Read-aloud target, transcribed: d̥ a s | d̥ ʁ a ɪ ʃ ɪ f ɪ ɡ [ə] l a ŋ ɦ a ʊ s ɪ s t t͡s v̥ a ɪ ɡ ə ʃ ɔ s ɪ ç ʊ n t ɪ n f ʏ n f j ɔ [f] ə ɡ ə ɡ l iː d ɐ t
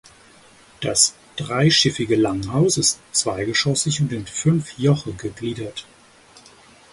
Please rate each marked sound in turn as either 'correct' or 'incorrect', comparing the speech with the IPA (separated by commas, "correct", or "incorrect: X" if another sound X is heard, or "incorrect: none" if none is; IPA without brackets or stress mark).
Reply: correct, incorrect: χ